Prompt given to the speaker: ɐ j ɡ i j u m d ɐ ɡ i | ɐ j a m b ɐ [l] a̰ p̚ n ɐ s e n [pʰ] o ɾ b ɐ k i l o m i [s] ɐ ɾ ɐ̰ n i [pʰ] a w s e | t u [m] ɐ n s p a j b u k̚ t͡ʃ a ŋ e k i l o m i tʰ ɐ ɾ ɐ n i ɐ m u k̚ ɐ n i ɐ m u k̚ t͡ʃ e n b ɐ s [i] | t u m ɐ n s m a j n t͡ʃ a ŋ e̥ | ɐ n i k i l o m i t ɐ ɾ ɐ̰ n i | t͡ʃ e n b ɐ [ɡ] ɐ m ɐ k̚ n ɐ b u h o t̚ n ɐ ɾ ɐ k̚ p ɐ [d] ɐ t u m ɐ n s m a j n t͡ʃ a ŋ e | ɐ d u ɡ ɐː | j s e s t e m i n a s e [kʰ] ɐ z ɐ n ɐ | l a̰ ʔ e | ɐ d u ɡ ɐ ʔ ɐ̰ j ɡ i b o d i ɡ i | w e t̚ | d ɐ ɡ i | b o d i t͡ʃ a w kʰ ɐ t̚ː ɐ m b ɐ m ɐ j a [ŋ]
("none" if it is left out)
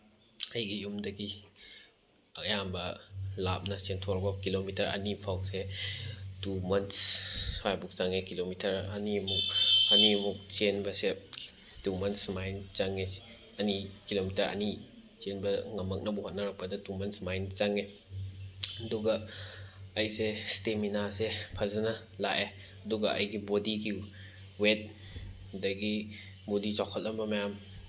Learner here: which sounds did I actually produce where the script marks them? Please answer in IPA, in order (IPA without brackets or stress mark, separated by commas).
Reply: l, tʰ, t, pʰ, m, e, ŋ, d, pʰ, m